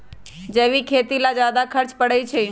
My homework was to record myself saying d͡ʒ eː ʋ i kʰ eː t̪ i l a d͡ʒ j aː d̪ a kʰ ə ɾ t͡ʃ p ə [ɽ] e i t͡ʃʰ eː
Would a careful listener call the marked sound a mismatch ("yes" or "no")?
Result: no